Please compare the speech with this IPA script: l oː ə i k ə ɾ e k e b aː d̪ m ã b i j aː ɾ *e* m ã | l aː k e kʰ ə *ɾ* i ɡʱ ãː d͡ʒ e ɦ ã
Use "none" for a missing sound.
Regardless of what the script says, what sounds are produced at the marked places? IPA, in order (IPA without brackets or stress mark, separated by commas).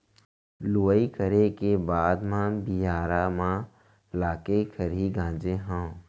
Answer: a, ɾ